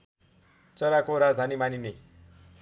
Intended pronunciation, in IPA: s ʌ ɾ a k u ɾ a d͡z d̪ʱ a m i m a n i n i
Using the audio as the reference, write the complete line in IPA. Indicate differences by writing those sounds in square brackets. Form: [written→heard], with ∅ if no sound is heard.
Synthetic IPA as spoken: [s→t͡s] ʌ ɾ a k [u→o] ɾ a d͡z d̪ʱ a [m→n] i m a n i n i